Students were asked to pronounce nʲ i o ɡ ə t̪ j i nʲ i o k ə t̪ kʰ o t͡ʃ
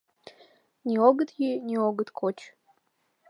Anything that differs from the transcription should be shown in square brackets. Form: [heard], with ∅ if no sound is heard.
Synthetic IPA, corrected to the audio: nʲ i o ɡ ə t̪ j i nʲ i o [ɡ] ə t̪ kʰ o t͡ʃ